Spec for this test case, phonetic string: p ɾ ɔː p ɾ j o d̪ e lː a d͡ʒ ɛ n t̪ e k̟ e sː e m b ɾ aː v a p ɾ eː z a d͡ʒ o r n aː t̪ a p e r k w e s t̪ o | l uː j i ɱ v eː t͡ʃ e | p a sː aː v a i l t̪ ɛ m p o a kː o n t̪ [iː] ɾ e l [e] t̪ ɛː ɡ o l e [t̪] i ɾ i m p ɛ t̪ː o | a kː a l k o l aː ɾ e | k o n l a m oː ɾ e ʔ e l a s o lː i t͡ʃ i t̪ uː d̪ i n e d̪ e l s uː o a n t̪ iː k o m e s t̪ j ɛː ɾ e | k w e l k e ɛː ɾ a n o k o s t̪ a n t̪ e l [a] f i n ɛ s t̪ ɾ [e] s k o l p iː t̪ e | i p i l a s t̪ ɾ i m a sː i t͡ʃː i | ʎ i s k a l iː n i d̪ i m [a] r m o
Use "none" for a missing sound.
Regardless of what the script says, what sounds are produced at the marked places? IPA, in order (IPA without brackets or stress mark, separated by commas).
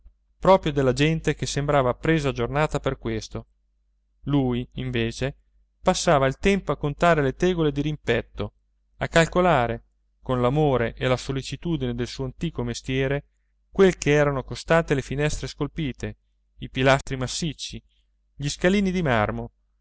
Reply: aː, e, d̪, e, e, a